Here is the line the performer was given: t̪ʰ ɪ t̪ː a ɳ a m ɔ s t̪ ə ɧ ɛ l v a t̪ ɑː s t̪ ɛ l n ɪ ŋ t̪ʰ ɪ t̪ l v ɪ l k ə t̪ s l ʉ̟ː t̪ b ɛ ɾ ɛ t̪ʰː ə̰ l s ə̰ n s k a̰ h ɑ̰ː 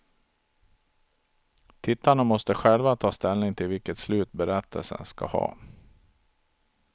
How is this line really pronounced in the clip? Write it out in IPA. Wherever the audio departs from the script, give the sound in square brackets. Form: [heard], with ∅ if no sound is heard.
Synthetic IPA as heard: t̪ʰ ɪ t̪ː a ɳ a m ɔ s t̪ ə ɧ ɛ l v a [t̪ʰ] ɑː s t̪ ɛ l n ɪ ŋ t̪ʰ ɪ [∅] l v ɪ l k ə t̪ s l ʉ̟ː t̪ b ɛ ɾ ɛ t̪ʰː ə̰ l s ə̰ n s k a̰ h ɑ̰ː

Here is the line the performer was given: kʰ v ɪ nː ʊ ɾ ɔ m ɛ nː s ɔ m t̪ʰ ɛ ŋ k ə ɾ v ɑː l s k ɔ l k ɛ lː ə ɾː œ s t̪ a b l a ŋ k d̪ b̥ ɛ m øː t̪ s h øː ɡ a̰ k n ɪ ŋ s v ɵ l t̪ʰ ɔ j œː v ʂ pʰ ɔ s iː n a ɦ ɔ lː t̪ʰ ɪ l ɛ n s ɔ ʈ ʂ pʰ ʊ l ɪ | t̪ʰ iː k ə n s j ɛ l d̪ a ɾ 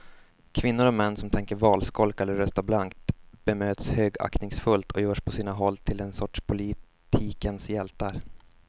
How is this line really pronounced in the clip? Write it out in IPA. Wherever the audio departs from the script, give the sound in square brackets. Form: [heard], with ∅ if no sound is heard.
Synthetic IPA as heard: kʰ v ɪ nː ʊ ɾ ɔ m ɛ nː s ɔ m t̪ʰ ɛ ŋ k ə ɾ v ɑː l s k ɔ l k ɛ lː ə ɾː œ s t̪ a b l a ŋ k [t̪] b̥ ɛ m øː t̪ s h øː ɡ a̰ k n ɪ ŋ s [f] ɵ l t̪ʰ ɔ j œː [∅] ʂ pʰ ɔ s iː n a ɦ ɔ lː t̪ʰ ɪ l ɛ n s ɔ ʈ ʂ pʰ ʊ l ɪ | t̪ʰ iː k ə n s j ɛ l [t̪] a ɾ

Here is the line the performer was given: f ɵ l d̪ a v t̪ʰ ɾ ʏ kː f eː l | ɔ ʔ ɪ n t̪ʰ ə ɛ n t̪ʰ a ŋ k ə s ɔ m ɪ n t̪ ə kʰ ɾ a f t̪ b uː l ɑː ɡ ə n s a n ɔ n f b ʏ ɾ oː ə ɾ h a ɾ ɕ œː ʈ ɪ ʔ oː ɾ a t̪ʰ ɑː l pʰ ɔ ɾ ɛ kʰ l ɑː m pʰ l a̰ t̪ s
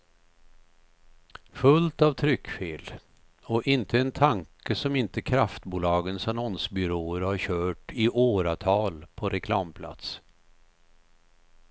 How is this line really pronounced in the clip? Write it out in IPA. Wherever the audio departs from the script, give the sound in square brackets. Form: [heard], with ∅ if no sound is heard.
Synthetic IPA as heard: f ɵ l [t̪] a v t̪ʰ ɾ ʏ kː f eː l | ɔ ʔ ɪ n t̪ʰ ə ɛ n t̪ʰ a ŋ k ə s ɔ m ɪ n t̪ ə kʰ ɾ a f t̪ b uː l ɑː ɡ ə n s a n ɔ n [s] b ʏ ɾ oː ə ɾ h a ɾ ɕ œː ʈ ɪ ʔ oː ɾ a t̪ʰ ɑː l pʰ ɔ ɾ ɛ kʰ l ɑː m pʰ l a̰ t̪ s

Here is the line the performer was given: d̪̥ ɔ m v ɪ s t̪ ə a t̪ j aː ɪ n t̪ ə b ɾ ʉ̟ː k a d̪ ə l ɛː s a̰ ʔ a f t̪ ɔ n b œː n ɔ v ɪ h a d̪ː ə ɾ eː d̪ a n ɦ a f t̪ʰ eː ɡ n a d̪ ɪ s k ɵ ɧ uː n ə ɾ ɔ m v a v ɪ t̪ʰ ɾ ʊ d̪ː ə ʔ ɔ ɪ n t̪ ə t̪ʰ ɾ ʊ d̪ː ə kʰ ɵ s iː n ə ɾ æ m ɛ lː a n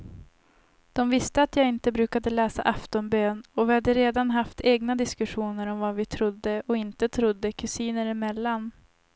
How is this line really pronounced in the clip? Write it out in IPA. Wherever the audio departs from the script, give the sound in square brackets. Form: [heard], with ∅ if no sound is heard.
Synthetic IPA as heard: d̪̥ ɔ m v ɪ s t̪ ə a t̪ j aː ɪ n t̪ ə b ɾ ʉ̟ː k a d̪ ə l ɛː s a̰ ʔ a f t̪ ɔ n b [øː] n ɔ v ɪ h a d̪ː ə ɾ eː d̪ a n ɦ a f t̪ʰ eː ɡ n a d̪ ɪ s k ɵ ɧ uː n ə ɾ ɔ m v a v ɪ t̪ʰ ɾ ʊ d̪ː ə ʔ ɔ ɪ n t̪ ə t̪ʰ ɾ ʊ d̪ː ə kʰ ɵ s iː n ə ɾ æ m ɛ lː a n

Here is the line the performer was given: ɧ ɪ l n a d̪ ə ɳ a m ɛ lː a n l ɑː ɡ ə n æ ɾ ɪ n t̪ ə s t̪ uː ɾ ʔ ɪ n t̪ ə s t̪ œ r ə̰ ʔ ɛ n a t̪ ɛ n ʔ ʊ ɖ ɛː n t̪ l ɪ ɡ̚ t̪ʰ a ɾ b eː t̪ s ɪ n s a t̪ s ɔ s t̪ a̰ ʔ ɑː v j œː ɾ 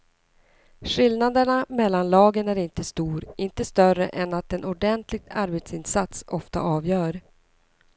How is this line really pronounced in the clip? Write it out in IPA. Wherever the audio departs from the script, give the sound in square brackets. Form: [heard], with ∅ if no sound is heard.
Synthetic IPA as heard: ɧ ɪ l n a d̪ ə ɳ a m ɛ lː a n l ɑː ɡ ə n æ ɾ ɪ n t̪ ə s t̪ uː ɾ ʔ ɪ n t̪ ə s t̪ œ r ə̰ ʔ ɛ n a t̪ ɛ n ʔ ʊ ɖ [ɛ] n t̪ l ɪ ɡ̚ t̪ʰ a ɾ b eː t̪ s ɪ n s a t̪ s ɔ [f] t̪ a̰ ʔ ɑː v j œː ɾ

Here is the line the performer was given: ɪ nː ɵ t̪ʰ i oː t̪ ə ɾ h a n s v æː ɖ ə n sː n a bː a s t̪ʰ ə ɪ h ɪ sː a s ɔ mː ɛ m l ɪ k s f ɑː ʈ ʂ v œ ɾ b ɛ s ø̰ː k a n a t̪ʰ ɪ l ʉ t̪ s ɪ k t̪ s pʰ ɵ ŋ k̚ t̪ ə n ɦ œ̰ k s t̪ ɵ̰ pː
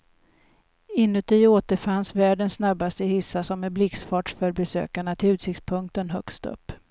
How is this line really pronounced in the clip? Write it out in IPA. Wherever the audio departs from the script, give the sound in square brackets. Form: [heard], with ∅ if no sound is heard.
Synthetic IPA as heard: ɪ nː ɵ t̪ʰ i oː t̪ ə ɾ [f] a n s v æː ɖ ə n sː n a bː a s [t̪] ə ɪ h ɪ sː a s ɔ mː ɛ [b] l ɪ k s f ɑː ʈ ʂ [f] œ ɾ b ɛ s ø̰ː k a [ɳ] a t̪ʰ ɪ l ʉ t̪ s ɪ k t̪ s pʰ ɵ ŋ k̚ t̪ ə n ɦ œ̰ k s t̪ ɵ̰ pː

